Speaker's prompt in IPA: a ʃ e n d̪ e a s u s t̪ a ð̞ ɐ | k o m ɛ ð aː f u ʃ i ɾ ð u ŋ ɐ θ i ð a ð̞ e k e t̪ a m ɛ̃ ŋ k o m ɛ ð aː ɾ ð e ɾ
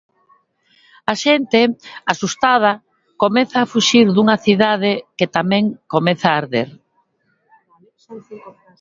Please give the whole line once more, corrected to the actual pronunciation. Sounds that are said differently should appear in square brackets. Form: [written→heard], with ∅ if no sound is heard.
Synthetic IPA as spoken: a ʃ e n [d̪→t̪] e a s u s t̪ a ð̞ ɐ | k o m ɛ [ð→θ] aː f u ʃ i ɾ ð u ŋ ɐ θ i ð a ð̞ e k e t̪ a m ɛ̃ ŋ k o m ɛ [ð→θ] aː ɾ ð e ɾ